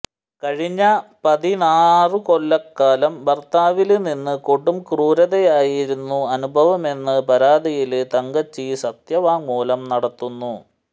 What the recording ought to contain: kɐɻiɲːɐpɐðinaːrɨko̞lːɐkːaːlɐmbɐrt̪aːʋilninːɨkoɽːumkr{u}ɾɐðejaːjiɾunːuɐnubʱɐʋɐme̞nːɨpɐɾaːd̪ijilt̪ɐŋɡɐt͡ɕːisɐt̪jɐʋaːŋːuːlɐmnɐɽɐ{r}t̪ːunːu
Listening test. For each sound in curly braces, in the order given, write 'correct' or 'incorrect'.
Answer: incorrect: uː, incorrect: none

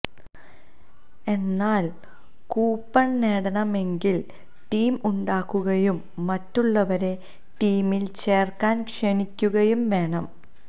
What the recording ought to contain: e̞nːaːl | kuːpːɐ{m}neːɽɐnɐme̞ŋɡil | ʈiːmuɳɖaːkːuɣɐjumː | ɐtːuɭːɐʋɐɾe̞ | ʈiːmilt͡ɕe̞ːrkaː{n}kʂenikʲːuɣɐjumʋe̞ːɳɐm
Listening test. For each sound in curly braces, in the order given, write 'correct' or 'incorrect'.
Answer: incorrect: ɳ, correct

